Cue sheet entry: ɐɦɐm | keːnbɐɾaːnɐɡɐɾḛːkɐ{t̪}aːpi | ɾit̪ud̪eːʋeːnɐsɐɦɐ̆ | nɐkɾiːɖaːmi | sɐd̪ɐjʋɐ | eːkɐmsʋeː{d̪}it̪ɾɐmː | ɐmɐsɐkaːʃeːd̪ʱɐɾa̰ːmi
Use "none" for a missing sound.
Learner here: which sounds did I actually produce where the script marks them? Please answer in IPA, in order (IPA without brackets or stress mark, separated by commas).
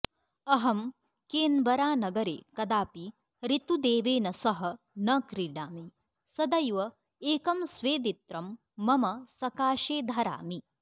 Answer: d̪, d̪